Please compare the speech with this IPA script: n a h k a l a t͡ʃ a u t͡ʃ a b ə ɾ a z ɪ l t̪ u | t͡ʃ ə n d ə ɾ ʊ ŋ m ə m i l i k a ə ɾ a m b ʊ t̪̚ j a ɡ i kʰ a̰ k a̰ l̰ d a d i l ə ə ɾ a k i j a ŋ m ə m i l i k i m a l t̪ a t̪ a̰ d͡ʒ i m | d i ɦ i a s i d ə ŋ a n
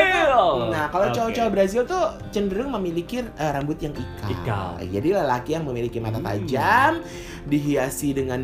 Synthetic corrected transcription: n a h k a l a t͡ʃ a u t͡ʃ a b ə ɾ a z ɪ l t̪ u | t͡ʃ ə n d ə ɾ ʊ ŋ m ə m i l i k i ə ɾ a m b ʊ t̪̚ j a ŋ i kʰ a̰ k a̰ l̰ d͡ʒ a d i l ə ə l a k i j a ŋ m ə m i l i k i m a t̪ a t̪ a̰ d͡ʒ a m | d i ɦ i a s i d ə ŋ a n